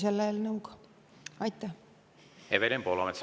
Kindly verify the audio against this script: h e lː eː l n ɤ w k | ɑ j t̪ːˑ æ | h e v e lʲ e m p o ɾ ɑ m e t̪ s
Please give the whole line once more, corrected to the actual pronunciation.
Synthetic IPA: s e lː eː l n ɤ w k | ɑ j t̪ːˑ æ | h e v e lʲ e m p o l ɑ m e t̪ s